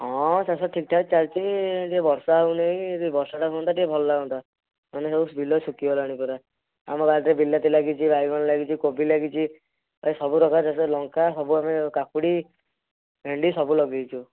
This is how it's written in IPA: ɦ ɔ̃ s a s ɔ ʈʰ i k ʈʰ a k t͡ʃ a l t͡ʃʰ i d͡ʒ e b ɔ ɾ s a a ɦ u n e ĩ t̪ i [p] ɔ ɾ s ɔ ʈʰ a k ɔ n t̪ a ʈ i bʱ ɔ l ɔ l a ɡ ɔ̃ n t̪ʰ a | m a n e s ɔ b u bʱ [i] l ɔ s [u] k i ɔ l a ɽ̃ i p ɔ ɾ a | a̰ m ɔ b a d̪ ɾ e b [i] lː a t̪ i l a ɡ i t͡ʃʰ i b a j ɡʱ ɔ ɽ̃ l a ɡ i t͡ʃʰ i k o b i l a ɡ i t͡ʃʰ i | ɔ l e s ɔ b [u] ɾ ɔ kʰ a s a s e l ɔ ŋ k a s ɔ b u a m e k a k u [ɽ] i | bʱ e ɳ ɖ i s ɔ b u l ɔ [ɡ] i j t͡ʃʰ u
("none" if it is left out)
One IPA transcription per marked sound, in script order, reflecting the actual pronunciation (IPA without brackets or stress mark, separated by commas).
b, i, u, i, u, ɽ, ɡ